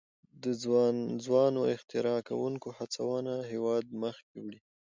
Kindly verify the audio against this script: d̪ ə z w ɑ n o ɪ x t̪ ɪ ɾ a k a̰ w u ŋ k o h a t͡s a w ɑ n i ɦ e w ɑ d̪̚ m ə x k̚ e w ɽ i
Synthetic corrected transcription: d̪ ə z w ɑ n o ɪ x t̪ ɪ ɾ ɑ k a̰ w u ŋ k o h a t͡s a w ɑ n a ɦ e w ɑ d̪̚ m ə x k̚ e w ɽ i